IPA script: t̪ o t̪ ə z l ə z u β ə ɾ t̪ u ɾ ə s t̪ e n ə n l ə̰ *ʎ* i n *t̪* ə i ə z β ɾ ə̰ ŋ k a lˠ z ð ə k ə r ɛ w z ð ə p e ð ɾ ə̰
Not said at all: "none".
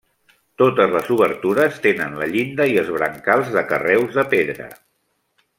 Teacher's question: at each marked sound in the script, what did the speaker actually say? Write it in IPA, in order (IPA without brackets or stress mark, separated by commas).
ʎ, d̪